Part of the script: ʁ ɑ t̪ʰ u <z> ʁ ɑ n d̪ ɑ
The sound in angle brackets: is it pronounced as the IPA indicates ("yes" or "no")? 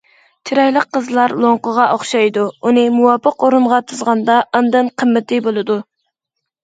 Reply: yes